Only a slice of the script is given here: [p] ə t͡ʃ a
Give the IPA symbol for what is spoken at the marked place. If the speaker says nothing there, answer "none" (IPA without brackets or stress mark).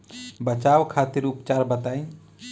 b